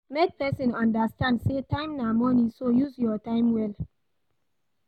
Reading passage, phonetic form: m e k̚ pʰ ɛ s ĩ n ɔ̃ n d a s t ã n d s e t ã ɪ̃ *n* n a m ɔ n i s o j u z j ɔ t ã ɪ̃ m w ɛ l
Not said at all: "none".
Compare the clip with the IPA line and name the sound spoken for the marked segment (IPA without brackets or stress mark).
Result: m